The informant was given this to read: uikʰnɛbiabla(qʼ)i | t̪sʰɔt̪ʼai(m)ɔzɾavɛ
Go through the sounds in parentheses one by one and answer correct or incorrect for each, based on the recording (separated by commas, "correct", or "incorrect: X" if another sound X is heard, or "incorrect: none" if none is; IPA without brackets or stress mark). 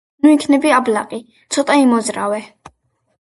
correct, correct